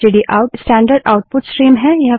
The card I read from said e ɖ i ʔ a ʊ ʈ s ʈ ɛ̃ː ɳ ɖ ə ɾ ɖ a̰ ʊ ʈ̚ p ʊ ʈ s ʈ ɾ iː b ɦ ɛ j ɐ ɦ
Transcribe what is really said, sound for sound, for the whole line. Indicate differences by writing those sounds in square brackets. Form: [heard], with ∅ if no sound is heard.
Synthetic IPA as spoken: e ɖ i ʔ a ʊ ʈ s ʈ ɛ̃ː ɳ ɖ ə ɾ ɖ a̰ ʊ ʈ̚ p ʊ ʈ s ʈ ɾ iː [m] ɦ ɛ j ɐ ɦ